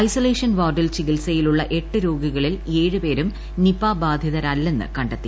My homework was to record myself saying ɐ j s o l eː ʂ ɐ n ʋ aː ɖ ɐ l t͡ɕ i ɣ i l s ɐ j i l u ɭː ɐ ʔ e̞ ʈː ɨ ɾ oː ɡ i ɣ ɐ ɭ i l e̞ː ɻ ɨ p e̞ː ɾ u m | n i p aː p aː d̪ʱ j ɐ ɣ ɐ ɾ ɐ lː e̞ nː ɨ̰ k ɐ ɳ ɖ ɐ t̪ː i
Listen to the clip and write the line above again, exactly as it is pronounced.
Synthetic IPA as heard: ɐ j s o l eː ʂ ɐ n ʋ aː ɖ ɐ l t͡ɕ i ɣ i l s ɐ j i l u ɭː ɐ ʔ e̞ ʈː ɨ ɾ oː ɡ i ɣ ɐ ɭ i l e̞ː ɻ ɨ p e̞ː ɾ u m | n i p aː b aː d̪ʱ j ɐ ð ɐ ɾ ɐ lː e̞ nː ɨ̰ k ɐ ɳ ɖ ɐ t̪ː i

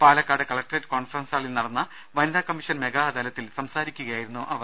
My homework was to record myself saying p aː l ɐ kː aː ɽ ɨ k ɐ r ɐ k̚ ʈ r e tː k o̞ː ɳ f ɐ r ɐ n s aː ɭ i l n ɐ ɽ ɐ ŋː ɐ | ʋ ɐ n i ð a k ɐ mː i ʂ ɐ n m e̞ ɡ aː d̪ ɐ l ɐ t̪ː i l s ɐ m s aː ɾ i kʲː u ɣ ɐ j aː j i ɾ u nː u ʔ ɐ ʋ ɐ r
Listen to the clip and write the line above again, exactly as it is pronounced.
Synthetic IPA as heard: p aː l ɐ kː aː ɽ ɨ k ɐ ɭ ɐ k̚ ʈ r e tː k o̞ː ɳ f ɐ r ɐ n s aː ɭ i l n ɐ ɽ ɐ nː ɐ | ʋ ɐ n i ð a k ɐ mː i ʂ ɐ n m e̞ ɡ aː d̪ ɐ l ɐ t̪ː i l s ɐ m s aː ɾ i kʲː u ɣ ɐ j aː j i ɾ u nː u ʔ ɐ ʋ ɐ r

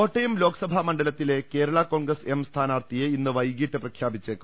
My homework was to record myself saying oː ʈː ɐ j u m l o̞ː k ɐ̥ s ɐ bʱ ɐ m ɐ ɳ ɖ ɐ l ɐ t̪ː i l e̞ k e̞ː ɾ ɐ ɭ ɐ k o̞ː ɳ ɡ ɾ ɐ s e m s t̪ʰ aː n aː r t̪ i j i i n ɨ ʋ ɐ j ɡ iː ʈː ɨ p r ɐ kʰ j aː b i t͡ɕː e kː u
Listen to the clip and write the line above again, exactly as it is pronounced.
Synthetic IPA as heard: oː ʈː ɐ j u m l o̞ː k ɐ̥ s ɐ bʱ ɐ m ɐ ɳ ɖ ɐ l ɐ t̪ː i l e̞ k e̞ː ɾ ɐ ɭ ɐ k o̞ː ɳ ɡ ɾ ɐ s e m s t̪ʰ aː n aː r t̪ i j e i nː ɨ ʋ ɐ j ɡ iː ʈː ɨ p r ɐ kʰ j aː b i t͡ɕː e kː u

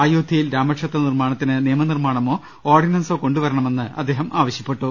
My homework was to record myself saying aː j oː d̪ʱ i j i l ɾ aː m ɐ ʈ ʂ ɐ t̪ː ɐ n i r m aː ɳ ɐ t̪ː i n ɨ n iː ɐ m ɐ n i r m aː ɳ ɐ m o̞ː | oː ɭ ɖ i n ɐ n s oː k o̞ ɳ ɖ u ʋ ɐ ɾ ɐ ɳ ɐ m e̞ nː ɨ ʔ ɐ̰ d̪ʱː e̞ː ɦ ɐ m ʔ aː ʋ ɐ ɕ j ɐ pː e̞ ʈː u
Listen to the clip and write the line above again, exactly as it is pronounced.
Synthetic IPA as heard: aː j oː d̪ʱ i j i l ɾ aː m ɐ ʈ ʂ ɐ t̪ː ɐ n i r m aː ɳ ɐ t̪ː i n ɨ n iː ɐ m ɐ n i r m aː ɳ ɐ m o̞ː | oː r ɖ i n ɐ n s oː k o̞ ɳ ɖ u ʋ ɐ ɾ ɐ ɳ ɐ m e̞ nː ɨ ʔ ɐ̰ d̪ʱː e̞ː ɦ ɐ m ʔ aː ʋ ɐ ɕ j ɐ pː e̞ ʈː u

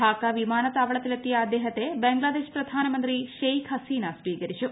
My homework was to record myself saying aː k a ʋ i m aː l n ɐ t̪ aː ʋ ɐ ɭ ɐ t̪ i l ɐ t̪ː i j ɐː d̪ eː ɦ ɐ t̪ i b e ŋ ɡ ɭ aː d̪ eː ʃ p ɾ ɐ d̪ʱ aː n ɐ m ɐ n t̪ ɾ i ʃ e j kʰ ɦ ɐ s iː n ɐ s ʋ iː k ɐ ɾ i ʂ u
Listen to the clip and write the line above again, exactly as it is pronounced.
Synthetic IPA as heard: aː k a ʋ i m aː n ɐ t̪ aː ʋ ɐ ɭ ɐ t̪ i l ɐ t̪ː i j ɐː d̪ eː ɦ ɐ t̪ e b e ŋ ɡ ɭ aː d̪ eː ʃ p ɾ ɐ d̪ʱ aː n ɐ m ɐ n t̪ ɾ i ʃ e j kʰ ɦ ɐ s iː n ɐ s ʋ iː k ɐ ɾ i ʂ u

